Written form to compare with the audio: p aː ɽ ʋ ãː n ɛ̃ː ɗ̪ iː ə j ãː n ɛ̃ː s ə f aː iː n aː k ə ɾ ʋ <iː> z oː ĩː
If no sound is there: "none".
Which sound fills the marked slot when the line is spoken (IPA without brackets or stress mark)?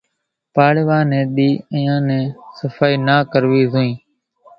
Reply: iː